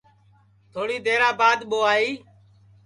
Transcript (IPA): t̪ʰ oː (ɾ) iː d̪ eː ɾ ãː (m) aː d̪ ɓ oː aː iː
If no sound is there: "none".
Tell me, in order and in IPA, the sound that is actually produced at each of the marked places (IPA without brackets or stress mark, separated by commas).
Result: ɽ, b